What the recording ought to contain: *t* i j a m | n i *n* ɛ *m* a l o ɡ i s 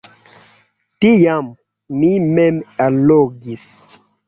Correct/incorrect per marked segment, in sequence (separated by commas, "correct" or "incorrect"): correct, incorrect, correct